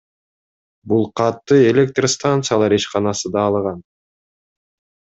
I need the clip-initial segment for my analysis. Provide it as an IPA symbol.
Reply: b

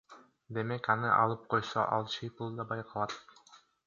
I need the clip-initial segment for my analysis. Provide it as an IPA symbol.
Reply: d̪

